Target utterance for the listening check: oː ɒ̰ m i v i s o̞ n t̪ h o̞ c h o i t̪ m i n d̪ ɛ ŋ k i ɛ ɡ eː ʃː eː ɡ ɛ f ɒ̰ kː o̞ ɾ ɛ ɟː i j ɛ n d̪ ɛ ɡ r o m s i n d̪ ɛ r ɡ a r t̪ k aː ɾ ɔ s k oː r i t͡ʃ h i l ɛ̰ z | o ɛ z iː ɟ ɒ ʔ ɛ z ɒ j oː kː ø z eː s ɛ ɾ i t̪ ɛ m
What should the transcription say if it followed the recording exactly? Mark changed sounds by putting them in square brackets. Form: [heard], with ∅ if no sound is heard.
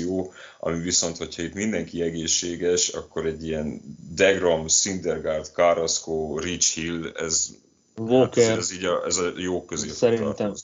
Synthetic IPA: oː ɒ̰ m i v i s o̞ n t̪ h o̞ c h [ɒ] i t̪ m i n d̪ ɛ ŋ k i ɛ ɡ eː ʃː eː ɡ ɛ [ʃ] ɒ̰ kː o̞ ɾ ɛ ɟː i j ɛ n d̪ ɛ ɡ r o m s i n d̪ ɛ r ɡ a r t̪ k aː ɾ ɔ s k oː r i t͡ʃ h i l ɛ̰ z | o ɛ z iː ɟ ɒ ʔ ɛ z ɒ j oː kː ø z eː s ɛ ɾ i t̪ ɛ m